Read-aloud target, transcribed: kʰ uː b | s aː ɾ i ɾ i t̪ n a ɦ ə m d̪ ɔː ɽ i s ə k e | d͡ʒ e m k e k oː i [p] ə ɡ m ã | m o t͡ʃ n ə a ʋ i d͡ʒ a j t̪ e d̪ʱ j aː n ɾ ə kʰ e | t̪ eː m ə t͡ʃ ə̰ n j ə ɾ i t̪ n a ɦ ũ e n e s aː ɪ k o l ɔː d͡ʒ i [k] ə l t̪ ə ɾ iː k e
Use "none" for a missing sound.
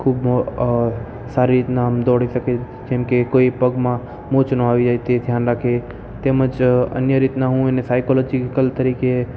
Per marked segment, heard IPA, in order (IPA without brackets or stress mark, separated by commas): p, k